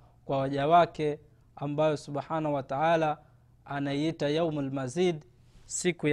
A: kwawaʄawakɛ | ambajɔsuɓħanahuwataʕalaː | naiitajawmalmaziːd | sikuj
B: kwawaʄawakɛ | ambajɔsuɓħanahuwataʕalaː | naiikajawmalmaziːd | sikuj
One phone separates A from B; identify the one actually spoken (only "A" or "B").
A